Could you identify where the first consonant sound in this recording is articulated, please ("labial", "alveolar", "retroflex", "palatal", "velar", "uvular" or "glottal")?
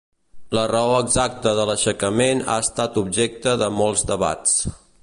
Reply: alveolar